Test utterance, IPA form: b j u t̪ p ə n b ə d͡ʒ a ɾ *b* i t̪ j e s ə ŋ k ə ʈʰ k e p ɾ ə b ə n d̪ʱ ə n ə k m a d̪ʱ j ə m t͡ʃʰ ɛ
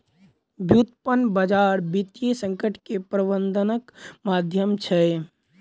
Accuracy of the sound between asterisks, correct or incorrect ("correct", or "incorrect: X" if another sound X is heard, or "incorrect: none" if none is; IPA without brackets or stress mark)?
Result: correct